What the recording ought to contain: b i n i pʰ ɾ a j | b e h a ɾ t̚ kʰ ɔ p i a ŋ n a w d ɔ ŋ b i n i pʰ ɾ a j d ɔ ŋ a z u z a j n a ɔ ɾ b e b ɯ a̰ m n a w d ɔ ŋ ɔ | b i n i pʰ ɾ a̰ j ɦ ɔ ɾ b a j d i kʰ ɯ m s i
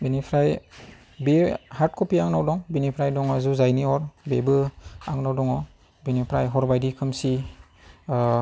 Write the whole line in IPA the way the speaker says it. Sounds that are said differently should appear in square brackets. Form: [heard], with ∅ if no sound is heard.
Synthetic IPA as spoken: b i n i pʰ ɾ a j | b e h a ɾ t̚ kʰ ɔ p i a ŋ n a w d ɔ ŋ b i n i pʰ ɾ a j d ɔ ŋ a z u z a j n [i] ɔ ɾ b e b ɯ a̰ [ŋ] n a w d ɔ ŋ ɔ | b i n i pʰ ɾ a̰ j ɦ ɔ ɾ b a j d i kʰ ɯ m s i